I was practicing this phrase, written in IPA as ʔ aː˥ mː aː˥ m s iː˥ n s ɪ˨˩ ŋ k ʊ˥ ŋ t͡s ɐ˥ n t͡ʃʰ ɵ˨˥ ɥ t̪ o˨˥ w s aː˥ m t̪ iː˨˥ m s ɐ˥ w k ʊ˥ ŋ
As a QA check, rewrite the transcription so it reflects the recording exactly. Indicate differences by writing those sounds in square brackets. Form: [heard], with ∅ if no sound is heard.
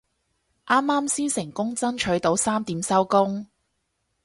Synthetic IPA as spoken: ʔ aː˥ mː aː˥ m s iː˥ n s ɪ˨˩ ŋ k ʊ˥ ŋ t͡s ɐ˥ n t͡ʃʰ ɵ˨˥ ɥ t̪ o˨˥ w s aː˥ m t̪ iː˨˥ m s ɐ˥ w k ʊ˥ ŋ